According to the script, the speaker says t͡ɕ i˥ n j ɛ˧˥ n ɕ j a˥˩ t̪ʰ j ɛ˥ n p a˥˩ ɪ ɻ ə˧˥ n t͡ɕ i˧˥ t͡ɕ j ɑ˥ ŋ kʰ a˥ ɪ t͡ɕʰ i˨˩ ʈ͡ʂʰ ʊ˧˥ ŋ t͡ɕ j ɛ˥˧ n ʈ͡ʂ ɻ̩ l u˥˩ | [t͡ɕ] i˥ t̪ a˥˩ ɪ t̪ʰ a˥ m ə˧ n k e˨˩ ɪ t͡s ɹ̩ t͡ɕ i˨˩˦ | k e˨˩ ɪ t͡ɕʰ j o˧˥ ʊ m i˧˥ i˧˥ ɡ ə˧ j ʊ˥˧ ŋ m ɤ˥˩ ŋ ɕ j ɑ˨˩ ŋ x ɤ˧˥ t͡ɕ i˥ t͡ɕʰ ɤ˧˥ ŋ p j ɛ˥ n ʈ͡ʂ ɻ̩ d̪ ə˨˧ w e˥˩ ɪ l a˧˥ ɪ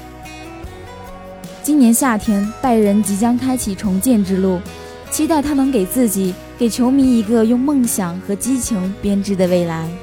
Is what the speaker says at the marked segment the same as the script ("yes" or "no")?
no